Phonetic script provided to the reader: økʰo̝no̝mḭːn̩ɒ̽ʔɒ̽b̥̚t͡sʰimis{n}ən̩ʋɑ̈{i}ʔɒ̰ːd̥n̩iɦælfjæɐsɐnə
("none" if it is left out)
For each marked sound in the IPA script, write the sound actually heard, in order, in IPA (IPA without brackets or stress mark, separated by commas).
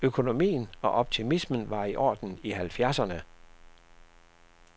m, i